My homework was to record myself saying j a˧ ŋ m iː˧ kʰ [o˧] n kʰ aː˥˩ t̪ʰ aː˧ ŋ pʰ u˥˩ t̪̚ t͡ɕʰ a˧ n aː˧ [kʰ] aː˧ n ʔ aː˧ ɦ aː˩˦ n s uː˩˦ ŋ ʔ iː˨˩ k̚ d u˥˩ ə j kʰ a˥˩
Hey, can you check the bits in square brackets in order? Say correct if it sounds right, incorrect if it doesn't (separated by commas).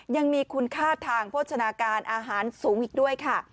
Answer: incorrect, incorrect